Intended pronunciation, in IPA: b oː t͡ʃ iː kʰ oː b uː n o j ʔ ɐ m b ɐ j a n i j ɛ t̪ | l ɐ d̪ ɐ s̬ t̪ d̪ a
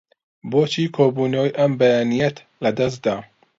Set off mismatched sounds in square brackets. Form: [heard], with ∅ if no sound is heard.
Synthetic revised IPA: b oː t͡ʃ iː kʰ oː b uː n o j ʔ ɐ m b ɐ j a n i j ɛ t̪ | l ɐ d̪ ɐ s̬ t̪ d̪ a